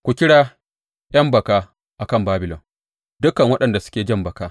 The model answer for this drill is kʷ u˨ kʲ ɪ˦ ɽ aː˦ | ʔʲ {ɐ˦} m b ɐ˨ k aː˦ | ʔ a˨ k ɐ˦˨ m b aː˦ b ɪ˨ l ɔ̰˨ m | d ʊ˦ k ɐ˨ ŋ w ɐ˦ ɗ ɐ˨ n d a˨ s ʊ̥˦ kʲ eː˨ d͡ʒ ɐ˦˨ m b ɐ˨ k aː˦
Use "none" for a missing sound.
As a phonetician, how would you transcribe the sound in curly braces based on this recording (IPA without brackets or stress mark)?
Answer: ɐ˦